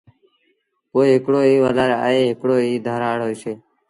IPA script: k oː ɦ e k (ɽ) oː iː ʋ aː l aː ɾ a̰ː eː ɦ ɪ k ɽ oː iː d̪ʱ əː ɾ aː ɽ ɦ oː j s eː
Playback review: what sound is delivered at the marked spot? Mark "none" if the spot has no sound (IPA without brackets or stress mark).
ɽ